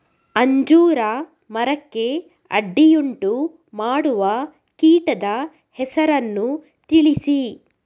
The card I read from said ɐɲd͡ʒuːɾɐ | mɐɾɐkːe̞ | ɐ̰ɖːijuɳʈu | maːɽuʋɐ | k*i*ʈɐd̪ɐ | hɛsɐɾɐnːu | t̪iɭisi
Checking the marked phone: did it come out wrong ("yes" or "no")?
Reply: yes